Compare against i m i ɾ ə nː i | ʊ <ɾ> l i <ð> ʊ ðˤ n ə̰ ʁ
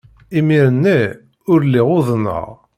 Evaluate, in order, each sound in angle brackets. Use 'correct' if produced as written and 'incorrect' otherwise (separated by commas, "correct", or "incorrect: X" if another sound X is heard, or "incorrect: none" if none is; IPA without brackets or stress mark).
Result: correct, incorrect: ʁ